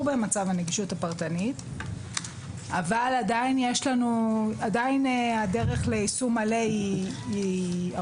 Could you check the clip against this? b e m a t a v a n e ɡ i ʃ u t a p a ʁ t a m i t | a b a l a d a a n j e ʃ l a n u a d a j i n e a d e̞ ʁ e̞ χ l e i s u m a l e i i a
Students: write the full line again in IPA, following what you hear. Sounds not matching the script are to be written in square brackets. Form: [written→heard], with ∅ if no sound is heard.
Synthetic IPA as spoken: b e m a [t→t͡s] a v a n e ɡ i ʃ u t a p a ʁ t a [m→n] i t | a [b→v] a l a d a [a→i] n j e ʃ l a n u a d a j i n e a d e̞ ʁ e̞ χ l e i s u m a l e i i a